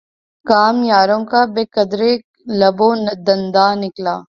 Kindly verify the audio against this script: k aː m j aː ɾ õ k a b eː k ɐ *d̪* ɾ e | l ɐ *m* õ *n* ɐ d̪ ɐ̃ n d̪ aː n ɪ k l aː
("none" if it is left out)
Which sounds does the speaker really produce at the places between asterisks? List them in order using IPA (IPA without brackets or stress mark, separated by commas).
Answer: d̪, b, n